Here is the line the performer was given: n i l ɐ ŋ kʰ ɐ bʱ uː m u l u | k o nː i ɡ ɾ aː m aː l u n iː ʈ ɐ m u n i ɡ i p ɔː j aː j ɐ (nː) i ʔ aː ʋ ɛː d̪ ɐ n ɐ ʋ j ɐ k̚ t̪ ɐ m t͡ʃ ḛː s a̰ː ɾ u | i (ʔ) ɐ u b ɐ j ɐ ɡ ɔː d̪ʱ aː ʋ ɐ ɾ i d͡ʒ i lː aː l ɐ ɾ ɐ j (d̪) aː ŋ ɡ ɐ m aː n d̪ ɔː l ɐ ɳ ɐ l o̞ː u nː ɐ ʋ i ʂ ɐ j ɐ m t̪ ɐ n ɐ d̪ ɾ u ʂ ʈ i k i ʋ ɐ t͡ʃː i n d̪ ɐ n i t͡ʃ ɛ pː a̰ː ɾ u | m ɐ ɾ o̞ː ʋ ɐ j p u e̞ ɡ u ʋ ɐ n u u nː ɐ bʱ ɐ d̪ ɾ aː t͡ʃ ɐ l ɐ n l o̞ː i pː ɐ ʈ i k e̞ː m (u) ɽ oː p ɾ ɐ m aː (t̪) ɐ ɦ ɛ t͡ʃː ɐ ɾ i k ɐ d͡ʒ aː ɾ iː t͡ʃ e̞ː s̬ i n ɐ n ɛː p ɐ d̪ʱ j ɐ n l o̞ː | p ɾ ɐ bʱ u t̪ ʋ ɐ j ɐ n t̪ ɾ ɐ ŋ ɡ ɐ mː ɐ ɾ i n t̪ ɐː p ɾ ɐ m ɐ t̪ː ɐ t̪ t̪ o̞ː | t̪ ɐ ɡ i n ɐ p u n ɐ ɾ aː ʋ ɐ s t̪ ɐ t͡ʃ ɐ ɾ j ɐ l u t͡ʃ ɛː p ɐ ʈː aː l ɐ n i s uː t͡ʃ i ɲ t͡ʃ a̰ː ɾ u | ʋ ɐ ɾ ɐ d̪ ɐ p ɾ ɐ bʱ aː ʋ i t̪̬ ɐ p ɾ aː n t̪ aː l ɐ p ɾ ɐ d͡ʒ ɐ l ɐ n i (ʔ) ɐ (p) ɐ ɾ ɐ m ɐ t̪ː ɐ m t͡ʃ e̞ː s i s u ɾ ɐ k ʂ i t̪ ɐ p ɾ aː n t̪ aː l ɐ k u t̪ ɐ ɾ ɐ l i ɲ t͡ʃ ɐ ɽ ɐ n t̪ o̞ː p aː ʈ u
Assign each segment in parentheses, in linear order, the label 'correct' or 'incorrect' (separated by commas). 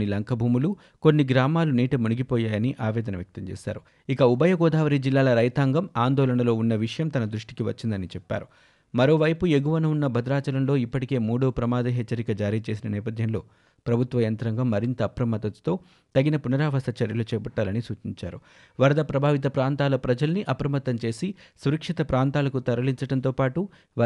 incorrect, incorrect, incorrect, incorrect, incorrect, correct, correct